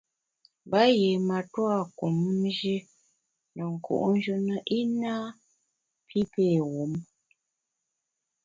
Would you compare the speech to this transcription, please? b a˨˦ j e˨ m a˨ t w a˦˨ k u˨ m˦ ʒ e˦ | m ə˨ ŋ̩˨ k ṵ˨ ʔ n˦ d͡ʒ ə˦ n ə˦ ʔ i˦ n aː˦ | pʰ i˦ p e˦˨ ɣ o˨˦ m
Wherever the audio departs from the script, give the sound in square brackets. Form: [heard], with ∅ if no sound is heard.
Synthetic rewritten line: b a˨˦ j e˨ m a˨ t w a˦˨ k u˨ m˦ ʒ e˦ | [n] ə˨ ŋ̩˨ k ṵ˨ ʔ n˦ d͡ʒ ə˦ n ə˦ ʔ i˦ n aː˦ | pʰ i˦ p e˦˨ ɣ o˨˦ m

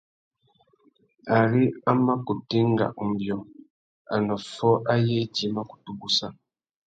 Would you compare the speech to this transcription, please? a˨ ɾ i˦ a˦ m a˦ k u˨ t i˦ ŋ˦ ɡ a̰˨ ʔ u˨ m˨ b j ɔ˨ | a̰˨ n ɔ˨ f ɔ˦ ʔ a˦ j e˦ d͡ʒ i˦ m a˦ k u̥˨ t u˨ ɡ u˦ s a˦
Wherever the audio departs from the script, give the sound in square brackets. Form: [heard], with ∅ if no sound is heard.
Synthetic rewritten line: a˨ ɾ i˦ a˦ m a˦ k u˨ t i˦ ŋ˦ ɡ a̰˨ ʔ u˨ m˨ b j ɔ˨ | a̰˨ n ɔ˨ f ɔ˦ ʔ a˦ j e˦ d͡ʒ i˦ m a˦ k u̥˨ t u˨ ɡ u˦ s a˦

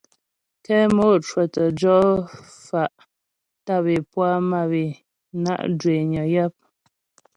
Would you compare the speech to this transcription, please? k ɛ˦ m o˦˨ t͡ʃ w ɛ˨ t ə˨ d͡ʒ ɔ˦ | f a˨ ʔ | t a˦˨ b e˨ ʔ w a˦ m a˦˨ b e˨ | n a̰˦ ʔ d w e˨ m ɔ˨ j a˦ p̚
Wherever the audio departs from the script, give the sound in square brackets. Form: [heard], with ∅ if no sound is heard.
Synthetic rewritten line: k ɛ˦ m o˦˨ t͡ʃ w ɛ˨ t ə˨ d͡ʒ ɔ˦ | f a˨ ʔ | t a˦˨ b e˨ [p] w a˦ m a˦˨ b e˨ | n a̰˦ ʔ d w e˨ [ɲ] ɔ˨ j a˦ p̚

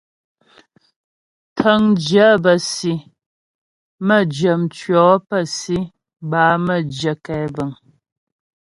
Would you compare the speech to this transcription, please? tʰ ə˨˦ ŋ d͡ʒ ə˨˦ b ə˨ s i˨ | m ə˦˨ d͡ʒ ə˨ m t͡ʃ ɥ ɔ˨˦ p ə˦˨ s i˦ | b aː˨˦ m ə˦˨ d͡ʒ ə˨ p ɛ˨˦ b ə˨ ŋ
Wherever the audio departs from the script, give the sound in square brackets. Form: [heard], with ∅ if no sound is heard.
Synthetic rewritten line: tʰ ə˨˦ ŋ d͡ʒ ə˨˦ b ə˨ s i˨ | m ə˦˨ d͡ʒ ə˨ m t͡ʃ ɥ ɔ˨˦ p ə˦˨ s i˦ | b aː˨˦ m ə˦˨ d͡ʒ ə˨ [k] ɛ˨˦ b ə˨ ŋ

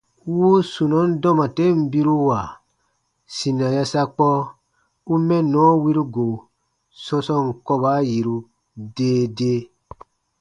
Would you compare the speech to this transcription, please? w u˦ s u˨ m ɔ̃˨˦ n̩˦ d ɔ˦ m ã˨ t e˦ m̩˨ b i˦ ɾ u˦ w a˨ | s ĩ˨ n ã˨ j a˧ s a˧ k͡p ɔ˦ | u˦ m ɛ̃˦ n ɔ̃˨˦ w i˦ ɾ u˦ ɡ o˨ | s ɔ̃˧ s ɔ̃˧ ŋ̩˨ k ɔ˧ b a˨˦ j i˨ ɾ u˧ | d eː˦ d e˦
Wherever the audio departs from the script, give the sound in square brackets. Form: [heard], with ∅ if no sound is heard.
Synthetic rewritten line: w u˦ s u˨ [n] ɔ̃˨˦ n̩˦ d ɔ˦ m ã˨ t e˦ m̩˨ b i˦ ɾ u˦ w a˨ | s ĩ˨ n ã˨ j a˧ s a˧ k͡p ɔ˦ | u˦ m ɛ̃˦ n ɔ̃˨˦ w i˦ ɾ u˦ ɡ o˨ | s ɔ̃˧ s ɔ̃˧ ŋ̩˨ k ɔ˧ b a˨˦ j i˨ ɾ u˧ | d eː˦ d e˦

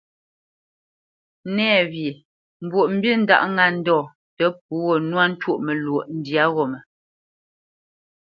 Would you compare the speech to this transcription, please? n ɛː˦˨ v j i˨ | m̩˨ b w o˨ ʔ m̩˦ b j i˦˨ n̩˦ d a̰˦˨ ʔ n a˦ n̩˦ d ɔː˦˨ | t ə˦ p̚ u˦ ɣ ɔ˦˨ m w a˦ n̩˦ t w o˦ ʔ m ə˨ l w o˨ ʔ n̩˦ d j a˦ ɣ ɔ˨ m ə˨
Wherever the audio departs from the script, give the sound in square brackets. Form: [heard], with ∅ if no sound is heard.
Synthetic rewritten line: n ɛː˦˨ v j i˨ | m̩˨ b w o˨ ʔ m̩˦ b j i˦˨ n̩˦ d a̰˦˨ ʔ [ŋ] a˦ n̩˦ d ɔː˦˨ | t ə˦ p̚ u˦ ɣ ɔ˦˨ [n] w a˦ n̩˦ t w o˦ ʔ m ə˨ l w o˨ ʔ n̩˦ d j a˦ ɣ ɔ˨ m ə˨

